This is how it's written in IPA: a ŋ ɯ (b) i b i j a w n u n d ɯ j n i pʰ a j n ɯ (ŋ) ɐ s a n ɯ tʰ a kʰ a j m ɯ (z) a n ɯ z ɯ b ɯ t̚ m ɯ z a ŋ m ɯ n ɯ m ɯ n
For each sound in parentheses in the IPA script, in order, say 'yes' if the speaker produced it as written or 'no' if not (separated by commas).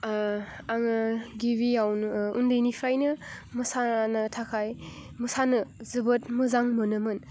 no, no, no